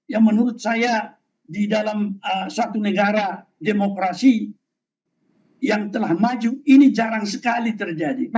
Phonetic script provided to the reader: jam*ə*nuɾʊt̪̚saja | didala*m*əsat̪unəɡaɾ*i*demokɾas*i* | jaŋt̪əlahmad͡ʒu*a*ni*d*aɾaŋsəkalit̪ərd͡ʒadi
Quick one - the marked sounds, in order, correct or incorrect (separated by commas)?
correct, correct, incorrect, correct, incorrect, incorrect